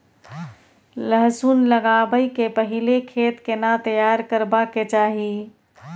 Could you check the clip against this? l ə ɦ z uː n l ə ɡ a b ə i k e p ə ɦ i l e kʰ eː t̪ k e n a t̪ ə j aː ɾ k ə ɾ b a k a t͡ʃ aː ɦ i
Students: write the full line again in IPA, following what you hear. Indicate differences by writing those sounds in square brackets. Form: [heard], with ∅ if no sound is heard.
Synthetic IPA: l ə ɦ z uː n l ə ɡ a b ə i k e p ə ɦ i l e kʰ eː t̪ k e n a t̪ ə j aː ɾ k ə ɾ b a k [e] t͡ʃ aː ɦ i